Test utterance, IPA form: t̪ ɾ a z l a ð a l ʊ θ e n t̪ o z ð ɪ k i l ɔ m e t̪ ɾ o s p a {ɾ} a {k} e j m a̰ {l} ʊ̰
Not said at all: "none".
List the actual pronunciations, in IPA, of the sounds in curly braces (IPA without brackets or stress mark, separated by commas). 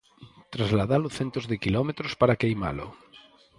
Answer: ɾ, k, l